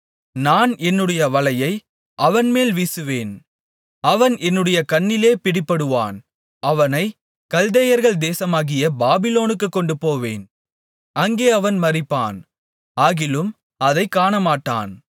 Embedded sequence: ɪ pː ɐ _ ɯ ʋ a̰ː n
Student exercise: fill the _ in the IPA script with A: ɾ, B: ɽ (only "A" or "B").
B